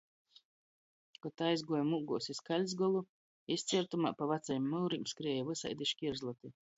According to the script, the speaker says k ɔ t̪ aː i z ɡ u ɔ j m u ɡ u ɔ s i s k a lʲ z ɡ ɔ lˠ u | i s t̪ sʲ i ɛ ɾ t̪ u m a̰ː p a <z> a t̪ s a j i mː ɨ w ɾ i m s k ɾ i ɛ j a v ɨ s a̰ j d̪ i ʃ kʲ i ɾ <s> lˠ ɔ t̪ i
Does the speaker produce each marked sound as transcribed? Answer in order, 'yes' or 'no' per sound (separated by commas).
no, no